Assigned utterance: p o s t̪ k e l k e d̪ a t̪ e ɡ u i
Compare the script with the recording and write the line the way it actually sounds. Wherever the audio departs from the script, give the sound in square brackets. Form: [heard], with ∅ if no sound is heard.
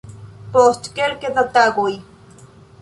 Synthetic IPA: p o s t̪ k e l k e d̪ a t̪ [a] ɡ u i